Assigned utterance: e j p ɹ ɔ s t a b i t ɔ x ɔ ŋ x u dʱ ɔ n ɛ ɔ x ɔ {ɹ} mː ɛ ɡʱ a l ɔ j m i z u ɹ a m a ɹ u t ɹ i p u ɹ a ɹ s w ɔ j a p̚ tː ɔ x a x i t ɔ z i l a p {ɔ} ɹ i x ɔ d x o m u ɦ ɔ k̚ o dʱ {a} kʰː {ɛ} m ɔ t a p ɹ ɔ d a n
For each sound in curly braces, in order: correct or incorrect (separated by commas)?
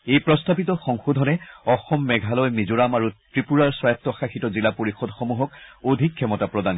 incorrect, incorrect, incorrect, correct